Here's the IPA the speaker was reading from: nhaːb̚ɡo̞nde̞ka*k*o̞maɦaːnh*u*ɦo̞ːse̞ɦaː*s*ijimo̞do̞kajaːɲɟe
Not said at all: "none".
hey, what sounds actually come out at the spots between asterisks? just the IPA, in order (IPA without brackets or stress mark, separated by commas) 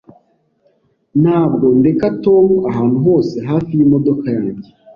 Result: t, u, f